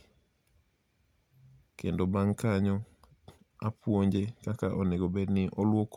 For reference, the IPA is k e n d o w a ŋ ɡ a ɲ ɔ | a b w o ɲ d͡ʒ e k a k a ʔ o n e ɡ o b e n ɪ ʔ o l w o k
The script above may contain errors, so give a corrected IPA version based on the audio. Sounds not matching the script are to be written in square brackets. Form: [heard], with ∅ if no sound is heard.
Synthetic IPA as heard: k e n d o [b] a ŋ [k] a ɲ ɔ | a [p] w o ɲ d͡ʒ e k a k a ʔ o n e ɡ o b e n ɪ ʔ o l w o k